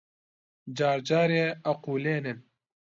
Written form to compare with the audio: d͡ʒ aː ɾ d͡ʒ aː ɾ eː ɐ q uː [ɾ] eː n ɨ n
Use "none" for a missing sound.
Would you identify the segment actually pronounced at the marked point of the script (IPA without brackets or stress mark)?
l